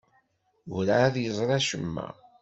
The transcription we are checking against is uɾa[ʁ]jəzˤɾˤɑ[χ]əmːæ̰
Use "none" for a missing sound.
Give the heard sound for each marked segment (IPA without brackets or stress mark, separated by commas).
ð, ʃ